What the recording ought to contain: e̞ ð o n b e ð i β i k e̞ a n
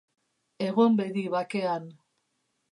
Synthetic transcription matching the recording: e̞ ɣ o m b e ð i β a k e̞ a n